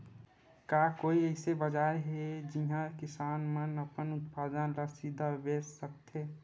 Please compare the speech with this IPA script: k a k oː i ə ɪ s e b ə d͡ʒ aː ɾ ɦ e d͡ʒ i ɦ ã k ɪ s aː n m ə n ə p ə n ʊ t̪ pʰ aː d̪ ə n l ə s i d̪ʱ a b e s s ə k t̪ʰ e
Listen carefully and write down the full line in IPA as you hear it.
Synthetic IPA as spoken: k a k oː i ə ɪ s e b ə d͡ʒ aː ɾ ɦ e d͡ʒ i ɦ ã k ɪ s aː n m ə n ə p ə n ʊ t̪ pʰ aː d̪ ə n l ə s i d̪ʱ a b e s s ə k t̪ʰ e